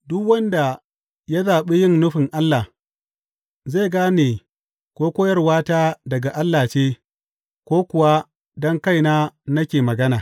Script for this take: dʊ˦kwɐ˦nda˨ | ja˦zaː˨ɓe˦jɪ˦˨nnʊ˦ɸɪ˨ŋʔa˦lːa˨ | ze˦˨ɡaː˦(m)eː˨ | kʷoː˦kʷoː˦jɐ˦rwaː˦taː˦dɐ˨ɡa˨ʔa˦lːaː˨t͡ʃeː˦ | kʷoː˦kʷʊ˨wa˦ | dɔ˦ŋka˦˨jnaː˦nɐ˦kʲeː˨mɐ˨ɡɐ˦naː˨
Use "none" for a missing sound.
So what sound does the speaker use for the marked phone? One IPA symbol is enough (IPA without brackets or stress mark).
n